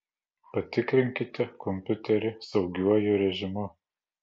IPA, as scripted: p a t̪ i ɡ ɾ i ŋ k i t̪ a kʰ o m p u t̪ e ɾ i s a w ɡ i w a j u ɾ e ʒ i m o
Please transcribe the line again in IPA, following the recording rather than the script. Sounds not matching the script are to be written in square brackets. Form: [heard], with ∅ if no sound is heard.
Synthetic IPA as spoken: p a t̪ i [k] ɾ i ŋ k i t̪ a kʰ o m p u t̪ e ɾ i s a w ɡ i w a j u ɾ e ʒ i m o

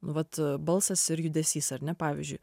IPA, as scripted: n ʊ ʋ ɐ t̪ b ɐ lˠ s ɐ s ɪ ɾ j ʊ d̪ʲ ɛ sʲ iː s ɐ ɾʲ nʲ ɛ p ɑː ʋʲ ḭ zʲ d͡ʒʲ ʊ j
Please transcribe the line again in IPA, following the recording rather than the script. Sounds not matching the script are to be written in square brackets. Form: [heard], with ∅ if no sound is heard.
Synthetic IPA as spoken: n ʊ ʋ ɐ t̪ b ɐ lˠ s ɐ s ɪ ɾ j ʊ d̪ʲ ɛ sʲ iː s ɐ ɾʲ nʲ ɛ p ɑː ʋʲ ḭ zʲ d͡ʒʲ ʊ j

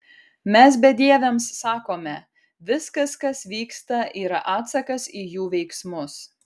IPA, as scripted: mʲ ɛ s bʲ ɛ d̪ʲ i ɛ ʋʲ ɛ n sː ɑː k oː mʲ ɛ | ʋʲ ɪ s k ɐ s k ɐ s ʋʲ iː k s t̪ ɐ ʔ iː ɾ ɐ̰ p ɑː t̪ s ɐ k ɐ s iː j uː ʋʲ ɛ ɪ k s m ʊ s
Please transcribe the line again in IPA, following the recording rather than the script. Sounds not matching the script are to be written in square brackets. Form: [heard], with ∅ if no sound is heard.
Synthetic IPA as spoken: mʲ ɛ s bʲ ɛ d̪ʲ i ɛ ʋʲ ɛ [m] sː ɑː k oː mʲ ɛ | ʋʲ ɪ s k ɐ s k ɐ s ʋʲ iː k s t̪ ɐ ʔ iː ɾ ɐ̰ [ʔ] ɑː t̪ s ɐ k ɐ s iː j uː ʋʲ ɛ ɪ k s m ʊ s

